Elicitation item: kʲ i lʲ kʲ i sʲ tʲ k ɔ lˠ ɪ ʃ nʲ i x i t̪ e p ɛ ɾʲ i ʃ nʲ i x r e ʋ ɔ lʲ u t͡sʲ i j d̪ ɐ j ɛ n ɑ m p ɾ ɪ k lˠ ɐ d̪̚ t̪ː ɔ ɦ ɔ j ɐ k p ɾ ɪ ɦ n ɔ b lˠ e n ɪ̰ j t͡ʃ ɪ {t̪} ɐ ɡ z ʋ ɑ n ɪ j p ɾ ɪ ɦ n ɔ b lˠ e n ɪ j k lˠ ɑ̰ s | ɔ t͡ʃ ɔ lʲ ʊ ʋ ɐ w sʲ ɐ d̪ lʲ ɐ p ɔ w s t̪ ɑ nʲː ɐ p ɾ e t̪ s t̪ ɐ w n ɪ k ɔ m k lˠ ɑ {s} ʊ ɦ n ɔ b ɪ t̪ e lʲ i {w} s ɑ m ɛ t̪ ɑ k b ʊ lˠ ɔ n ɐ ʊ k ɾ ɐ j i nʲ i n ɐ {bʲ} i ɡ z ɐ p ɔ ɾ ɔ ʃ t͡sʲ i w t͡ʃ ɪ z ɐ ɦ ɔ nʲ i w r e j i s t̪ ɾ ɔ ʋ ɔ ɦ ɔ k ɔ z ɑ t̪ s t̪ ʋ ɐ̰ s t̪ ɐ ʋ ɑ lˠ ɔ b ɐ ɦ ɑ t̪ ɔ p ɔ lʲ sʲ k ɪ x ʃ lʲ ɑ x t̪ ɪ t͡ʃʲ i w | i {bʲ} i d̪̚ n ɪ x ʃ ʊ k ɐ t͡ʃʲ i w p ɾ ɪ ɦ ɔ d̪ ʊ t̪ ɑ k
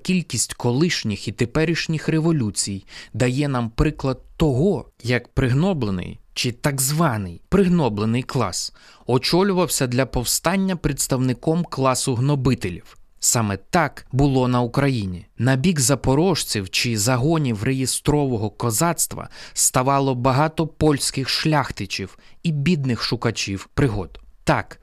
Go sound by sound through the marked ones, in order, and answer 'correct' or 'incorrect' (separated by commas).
correct, correct, correct, correct, correct